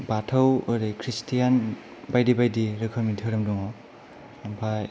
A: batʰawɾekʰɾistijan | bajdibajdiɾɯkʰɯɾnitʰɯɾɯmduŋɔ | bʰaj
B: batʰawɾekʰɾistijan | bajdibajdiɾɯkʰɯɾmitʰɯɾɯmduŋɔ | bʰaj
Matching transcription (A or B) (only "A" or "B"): B